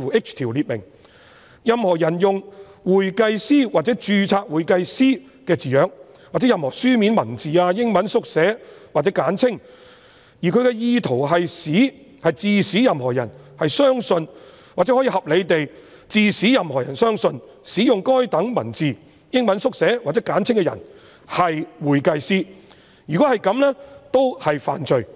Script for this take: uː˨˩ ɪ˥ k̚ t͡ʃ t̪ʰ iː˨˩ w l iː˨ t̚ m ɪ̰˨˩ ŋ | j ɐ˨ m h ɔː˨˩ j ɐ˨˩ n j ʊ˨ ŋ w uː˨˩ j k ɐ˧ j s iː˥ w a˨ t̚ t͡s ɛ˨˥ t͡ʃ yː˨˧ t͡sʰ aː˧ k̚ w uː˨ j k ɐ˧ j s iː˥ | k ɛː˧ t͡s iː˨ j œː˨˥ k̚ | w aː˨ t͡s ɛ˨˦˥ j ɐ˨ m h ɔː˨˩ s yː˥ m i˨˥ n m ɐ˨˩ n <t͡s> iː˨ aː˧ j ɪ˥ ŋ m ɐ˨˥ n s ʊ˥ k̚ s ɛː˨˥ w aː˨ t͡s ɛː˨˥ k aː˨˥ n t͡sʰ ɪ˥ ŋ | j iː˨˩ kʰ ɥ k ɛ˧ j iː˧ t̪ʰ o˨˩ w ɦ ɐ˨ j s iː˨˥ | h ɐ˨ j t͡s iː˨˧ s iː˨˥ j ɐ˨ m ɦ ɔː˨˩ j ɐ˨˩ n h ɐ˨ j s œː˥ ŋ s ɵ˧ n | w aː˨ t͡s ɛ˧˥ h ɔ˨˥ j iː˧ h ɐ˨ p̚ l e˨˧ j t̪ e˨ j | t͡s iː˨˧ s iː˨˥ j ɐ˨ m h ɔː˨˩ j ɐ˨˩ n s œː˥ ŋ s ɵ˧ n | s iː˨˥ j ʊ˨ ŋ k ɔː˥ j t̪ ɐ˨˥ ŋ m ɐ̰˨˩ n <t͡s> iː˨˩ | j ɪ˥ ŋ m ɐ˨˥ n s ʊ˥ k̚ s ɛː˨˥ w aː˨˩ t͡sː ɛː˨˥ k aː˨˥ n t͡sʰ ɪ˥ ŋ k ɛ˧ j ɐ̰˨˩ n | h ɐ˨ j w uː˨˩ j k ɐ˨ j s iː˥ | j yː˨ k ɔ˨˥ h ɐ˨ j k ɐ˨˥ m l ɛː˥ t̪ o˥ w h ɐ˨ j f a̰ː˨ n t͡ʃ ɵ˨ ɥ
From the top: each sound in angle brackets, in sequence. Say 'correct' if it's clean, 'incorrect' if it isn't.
correct, correct

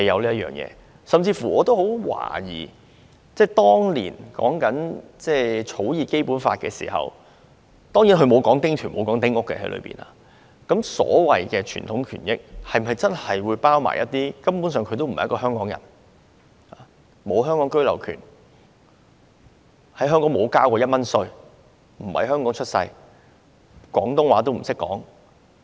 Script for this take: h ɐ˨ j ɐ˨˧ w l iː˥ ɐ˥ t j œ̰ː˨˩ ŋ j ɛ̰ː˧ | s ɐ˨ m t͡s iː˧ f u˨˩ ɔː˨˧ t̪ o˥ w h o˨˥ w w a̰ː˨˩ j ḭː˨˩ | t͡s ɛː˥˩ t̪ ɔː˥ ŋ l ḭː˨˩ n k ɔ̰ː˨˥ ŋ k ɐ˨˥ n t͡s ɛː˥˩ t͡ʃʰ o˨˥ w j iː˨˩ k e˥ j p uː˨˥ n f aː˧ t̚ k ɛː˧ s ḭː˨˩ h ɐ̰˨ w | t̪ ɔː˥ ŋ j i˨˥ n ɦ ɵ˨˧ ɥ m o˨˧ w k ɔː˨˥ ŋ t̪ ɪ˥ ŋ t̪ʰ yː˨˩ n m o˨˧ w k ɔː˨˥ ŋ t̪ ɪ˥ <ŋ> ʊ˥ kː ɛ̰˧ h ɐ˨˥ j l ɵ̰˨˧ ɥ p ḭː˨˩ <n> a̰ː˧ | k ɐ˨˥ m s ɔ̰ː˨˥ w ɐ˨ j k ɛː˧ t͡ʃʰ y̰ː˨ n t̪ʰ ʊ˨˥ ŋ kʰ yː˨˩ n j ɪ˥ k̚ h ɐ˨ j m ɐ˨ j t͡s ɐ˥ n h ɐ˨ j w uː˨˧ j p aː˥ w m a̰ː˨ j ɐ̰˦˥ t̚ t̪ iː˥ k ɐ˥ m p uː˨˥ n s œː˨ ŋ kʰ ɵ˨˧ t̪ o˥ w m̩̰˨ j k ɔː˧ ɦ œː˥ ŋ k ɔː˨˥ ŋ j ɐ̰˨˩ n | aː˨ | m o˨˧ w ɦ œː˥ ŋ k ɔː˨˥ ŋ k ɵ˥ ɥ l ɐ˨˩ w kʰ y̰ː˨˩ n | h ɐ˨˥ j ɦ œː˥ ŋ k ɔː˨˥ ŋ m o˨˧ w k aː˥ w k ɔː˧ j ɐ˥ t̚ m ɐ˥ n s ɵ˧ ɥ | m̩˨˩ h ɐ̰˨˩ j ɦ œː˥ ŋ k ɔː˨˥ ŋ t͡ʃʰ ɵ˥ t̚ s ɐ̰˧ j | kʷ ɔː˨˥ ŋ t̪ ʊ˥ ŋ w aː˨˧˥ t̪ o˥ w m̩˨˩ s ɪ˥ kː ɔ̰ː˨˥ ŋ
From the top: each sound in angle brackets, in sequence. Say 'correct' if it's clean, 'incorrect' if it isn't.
correct, correct

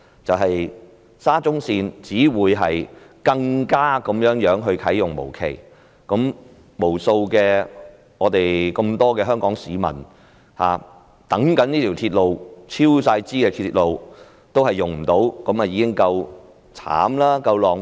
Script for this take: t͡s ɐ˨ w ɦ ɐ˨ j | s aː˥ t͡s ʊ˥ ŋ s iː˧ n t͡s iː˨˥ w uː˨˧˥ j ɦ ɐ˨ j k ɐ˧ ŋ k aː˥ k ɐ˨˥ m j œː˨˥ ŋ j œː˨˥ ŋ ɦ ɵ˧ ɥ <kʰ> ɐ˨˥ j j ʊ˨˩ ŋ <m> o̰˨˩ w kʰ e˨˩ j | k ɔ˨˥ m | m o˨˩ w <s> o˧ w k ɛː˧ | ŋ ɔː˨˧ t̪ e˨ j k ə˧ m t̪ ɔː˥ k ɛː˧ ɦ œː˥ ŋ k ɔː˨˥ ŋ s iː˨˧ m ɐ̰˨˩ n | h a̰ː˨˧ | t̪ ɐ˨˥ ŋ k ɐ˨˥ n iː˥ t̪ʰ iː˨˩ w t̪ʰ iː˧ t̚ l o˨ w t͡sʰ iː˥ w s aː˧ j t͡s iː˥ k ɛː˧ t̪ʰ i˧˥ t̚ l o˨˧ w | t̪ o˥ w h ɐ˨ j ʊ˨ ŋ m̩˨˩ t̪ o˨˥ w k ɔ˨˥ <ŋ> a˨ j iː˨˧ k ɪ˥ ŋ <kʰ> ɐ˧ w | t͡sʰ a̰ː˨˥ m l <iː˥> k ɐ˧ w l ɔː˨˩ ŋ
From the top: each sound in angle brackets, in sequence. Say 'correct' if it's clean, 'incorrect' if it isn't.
correct, correct, correct, incorrect: m, incorrect: k, incorrect: aː˥

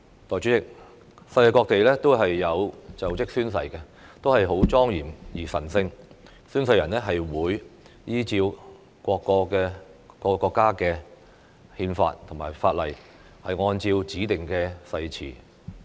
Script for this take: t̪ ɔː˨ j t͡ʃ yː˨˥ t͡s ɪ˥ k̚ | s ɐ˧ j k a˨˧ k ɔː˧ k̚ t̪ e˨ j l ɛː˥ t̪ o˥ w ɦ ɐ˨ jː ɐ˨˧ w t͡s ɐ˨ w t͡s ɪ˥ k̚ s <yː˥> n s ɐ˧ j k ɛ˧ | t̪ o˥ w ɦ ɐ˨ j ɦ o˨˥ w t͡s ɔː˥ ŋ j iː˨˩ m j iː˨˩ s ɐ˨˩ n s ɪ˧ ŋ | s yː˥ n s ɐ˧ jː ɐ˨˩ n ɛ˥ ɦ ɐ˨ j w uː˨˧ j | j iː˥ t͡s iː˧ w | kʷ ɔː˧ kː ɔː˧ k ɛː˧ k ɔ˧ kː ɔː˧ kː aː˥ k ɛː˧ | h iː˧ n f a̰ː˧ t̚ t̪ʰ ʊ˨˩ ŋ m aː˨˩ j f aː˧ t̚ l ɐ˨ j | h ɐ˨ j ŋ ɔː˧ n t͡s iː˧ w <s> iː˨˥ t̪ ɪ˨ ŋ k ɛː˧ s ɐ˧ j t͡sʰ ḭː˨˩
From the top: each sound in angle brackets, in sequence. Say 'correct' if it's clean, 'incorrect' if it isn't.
correct, incorrect: t͡s

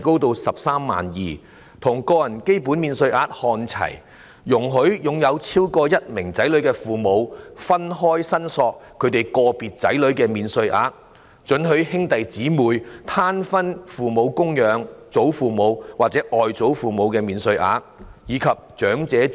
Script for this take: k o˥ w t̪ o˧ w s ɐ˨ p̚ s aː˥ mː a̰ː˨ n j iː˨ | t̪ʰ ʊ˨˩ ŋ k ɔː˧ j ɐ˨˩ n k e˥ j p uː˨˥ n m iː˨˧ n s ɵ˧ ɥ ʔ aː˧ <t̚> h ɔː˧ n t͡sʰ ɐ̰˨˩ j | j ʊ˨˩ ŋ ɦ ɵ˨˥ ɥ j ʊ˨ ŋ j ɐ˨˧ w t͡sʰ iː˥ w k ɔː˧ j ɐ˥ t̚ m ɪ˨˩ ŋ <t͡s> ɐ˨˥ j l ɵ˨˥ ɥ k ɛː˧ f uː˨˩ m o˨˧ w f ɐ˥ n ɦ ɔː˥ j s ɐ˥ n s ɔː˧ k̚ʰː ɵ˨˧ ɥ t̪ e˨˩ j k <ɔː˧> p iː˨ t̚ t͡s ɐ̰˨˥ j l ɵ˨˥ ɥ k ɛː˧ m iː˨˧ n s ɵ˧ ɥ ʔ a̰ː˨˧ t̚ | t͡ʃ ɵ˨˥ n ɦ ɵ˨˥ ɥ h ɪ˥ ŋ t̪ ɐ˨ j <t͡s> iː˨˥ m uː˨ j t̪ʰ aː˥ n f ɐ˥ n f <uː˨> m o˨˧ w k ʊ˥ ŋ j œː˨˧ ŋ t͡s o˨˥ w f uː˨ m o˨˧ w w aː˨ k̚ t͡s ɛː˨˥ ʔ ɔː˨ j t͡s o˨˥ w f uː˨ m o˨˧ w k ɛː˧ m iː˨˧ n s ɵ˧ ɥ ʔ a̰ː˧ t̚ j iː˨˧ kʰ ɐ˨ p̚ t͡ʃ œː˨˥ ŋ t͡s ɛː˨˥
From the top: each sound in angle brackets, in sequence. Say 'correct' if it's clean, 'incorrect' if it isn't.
correct, correct, correct, correct, correct

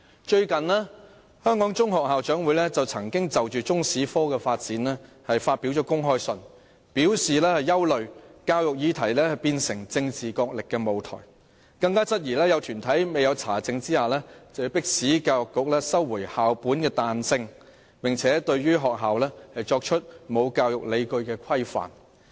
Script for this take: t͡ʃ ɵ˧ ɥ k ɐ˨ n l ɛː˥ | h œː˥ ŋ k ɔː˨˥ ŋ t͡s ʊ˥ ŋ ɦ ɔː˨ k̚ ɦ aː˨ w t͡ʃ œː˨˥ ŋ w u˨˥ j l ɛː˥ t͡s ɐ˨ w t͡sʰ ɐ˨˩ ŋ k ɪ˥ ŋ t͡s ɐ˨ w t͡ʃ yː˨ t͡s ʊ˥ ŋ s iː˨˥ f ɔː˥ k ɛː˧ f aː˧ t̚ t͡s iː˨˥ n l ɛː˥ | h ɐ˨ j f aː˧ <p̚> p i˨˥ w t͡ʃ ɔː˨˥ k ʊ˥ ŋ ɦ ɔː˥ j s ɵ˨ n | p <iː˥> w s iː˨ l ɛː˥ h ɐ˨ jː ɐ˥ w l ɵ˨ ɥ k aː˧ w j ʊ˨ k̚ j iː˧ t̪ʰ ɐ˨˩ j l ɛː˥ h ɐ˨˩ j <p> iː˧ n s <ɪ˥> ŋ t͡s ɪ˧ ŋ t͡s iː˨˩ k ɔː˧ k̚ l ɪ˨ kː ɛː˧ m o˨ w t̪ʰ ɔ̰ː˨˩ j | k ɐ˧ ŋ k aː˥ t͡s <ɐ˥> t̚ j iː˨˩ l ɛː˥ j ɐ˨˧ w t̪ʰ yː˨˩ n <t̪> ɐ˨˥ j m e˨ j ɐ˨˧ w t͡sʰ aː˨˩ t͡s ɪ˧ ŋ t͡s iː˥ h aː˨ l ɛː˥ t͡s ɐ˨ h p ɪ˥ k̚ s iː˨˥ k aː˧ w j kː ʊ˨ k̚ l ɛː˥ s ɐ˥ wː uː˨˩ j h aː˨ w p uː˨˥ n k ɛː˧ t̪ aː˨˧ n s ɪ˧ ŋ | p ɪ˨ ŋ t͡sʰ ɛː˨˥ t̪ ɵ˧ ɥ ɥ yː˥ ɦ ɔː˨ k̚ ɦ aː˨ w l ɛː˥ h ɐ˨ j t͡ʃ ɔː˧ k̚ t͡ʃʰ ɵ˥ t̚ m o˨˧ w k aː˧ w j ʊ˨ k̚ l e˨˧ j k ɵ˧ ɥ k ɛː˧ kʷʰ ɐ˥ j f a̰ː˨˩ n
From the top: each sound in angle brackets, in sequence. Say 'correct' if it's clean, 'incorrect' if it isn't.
incorrect: t̚, incorrect: iː˨˥, correct, incorrect: ɪ˨˩, correct, incorrect: t̪ʰ

